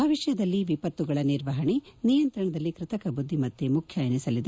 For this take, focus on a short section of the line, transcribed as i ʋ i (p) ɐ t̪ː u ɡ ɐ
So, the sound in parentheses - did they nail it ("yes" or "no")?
yes